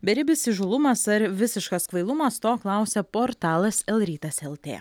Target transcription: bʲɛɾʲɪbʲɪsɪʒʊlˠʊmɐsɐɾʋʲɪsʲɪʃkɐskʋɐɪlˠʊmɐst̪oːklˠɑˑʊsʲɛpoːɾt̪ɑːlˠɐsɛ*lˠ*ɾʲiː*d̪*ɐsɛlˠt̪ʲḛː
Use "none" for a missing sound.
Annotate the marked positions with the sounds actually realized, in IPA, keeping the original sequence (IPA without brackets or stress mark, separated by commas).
lˠ, t̪